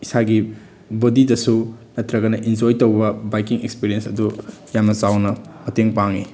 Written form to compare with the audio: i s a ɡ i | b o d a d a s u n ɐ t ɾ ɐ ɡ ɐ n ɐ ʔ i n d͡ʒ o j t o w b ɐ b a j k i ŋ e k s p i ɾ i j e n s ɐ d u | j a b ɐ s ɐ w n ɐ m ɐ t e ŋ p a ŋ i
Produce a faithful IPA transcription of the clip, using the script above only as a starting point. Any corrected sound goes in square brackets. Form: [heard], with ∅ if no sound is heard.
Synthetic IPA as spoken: i s a ɡ i | b o d [i] d [ɐ] s u n ɐ t ɾ ɐ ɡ ɐ n ɐ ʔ i n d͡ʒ o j t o w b ɐ b a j k i ŋ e k s p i ɾ i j e n s ɐ d u | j a [m] ɐ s [a] w n ɐ m ɐ t e ŋ p a ŋ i